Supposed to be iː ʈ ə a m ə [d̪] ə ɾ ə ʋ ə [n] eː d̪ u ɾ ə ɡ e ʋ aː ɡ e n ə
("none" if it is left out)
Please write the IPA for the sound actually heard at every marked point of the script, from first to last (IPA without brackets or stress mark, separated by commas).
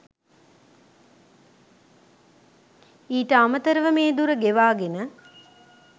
t̪, m